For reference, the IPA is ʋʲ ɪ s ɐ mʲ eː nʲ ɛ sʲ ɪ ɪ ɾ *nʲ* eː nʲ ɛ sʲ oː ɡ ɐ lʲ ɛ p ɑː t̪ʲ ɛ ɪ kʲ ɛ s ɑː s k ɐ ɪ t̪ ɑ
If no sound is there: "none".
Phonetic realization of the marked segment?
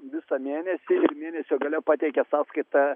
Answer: mʲ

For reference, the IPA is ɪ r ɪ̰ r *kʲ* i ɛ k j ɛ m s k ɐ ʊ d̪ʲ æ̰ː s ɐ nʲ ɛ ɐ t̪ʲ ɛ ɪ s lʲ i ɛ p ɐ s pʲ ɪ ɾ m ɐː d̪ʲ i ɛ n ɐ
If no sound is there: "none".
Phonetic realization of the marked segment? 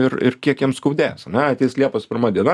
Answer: kʲ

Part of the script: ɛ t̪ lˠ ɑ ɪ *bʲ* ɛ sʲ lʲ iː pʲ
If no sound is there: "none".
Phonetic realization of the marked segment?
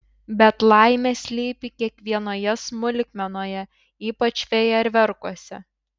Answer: mʲ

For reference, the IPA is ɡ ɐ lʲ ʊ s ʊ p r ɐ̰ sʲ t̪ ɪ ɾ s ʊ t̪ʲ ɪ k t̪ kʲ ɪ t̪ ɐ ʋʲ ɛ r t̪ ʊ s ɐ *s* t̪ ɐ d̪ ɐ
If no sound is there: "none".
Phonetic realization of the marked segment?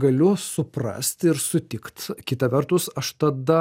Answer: ʃ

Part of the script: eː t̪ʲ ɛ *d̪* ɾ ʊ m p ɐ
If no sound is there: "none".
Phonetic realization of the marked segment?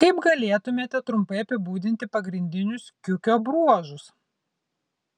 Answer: t̪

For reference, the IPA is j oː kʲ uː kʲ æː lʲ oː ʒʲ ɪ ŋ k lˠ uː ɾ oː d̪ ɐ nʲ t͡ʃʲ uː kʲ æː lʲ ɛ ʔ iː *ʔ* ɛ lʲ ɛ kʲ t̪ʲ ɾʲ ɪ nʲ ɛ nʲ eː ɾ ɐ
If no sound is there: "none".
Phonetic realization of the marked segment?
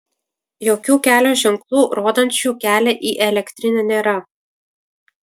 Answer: ʔ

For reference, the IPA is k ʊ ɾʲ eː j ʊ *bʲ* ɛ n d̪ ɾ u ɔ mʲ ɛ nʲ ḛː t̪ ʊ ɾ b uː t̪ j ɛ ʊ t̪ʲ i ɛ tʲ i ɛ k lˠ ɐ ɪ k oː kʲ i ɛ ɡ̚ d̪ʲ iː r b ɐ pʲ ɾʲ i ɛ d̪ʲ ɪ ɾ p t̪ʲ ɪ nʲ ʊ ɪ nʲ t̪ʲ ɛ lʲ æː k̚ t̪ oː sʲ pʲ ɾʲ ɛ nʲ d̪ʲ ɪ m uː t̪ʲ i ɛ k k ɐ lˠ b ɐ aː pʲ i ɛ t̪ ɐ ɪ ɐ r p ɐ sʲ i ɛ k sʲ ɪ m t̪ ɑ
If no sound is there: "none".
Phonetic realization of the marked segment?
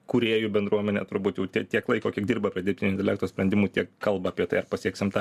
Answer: bʲ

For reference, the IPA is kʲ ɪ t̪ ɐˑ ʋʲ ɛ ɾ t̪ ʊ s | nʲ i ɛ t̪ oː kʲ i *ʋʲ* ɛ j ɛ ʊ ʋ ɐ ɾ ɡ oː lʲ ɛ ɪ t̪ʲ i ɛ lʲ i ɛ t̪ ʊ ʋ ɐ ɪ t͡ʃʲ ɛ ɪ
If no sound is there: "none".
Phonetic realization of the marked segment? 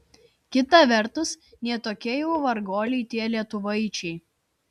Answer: none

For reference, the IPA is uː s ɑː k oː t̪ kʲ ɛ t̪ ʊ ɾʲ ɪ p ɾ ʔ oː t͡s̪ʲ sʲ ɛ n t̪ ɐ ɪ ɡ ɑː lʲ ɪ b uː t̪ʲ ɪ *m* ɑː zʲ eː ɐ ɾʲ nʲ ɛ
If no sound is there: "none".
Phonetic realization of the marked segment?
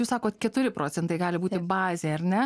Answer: b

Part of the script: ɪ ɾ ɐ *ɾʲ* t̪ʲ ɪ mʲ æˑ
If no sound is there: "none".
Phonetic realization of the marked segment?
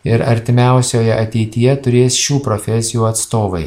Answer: ɾʲ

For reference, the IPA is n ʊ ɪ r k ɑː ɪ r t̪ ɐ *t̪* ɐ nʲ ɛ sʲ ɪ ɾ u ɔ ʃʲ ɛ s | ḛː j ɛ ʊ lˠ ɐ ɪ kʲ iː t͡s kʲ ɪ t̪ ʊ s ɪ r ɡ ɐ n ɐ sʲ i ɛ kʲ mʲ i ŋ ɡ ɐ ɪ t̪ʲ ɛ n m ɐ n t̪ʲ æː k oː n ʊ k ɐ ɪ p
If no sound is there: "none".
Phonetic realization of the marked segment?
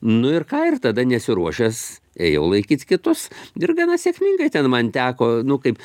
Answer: d̪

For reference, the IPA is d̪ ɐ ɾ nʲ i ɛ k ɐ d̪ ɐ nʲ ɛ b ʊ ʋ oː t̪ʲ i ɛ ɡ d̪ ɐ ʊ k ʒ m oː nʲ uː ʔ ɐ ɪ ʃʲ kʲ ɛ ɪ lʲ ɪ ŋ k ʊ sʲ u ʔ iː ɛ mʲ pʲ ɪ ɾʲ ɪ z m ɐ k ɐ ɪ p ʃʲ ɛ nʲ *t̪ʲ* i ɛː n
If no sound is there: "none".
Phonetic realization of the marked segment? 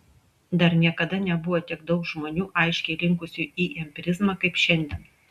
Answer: d̪ʲ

